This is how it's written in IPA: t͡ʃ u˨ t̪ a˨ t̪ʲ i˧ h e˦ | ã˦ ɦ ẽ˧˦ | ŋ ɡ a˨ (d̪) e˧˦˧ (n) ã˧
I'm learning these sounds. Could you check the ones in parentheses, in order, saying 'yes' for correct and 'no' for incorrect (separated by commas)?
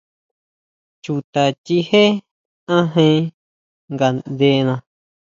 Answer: yes, yes